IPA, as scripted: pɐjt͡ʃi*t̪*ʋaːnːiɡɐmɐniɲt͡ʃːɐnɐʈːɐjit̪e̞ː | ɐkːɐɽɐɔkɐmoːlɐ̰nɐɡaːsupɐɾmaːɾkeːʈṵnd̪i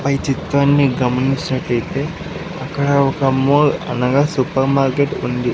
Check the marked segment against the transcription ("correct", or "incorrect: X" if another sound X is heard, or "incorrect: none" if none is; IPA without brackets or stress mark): correct